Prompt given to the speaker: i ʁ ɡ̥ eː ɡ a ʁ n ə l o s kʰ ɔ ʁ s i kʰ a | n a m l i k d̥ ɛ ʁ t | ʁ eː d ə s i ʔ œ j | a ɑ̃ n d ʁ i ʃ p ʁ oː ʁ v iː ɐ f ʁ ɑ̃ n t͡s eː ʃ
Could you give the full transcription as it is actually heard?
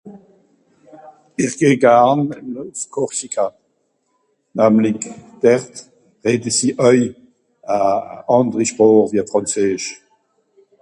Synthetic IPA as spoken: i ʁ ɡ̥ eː ɡ a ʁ n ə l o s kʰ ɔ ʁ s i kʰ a | n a m l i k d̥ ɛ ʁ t | ʁ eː d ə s i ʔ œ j | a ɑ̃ n d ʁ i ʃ p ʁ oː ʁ v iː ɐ f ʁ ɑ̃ n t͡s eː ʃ